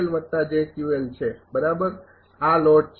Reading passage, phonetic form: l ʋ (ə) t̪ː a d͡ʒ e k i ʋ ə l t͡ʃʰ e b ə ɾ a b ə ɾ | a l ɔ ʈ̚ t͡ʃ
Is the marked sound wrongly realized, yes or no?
no